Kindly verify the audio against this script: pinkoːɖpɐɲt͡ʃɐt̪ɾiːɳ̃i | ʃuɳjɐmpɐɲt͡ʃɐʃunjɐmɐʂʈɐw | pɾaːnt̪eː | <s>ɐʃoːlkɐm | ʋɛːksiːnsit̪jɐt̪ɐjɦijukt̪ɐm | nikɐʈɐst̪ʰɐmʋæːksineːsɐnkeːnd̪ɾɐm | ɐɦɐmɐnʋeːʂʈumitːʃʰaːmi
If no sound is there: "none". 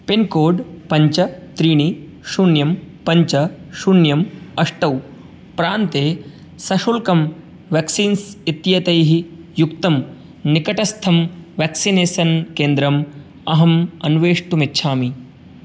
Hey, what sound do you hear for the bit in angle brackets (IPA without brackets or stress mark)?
s